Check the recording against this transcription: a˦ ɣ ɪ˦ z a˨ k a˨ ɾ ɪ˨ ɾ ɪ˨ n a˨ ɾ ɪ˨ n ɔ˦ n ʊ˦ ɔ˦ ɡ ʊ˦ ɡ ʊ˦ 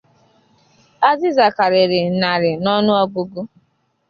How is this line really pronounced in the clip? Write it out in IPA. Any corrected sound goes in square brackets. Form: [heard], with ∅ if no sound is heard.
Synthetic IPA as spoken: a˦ [z] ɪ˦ z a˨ k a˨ ɾ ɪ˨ ɾ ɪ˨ n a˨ ɾ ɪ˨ n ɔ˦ n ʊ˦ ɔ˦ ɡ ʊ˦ ɡ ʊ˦